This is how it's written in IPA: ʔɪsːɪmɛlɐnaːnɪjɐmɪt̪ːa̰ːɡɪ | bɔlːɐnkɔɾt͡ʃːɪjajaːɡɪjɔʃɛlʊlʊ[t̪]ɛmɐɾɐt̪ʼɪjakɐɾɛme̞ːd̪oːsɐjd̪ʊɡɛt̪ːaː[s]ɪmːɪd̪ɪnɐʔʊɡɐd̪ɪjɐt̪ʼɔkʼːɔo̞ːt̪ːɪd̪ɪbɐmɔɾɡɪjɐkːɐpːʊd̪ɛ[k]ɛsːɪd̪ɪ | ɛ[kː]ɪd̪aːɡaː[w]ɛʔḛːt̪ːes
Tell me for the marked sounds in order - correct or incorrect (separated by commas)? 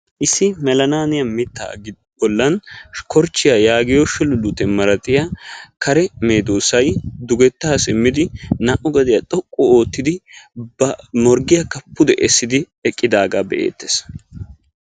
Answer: correct, correct, incorrect, incorrect, incorrect